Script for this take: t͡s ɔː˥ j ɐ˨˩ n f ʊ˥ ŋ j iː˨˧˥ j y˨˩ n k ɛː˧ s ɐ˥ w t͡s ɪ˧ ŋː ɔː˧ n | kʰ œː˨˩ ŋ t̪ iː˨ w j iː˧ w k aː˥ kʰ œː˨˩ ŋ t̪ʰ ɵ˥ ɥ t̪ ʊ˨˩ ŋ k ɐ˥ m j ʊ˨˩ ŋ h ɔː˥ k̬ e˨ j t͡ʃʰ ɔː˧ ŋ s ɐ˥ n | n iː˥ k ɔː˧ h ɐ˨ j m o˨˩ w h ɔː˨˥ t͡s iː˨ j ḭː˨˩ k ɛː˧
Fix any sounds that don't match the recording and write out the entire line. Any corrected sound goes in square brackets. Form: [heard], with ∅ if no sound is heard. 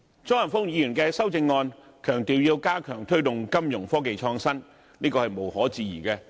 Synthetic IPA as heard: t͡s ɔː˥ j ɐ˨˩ n f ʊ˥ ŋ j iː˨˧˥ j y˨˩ n k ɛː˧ s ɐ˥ w t͡s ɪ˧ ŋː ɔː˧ n | kʰ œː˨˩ ŋ t̪ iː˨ w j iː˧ w k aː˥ kʰ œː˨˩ ŋ t̪ʰ ɵ˥ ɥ t̪ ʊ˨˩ ŋ k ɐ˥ m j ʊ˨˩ ŋ [f] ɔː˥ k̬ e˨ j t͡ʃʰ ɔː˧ ŋ s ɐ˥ n | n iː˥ k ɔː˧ h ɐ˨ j m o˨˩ w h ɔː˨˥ t͡s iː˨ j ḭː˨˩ k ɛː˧